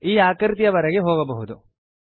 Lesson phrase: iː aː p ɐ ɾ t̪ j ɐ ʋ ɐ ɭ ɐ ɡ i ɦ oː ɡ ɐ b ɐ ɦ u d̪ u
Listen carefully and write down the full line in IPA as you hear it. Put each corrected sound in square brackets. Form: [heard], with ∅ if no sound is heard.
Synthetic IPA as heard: iː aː [k] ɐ ɾ t̪ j ɐ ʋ ɐ [ɾ] ɐ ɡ [e] ɦ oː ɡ ɐ b ɐ ɦ u d̪ u